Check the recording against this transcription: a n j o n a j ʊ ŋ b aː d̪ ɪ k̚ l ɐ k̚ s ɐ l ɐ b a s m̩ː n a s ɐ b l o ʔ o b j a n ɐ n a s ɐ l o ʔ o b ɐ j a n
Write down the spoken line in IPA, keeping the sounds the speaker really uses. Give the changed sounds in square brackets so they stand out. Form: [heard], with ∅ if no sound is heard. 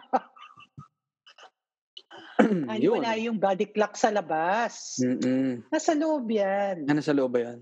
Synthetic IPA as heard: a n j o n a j ʊ ŋ b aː d̪ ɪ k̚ l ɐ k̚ s ɐ l ɐ b a s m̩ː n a s ɐ [∅] l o ʔ o b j a n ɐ n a s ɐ l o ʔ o b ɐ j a n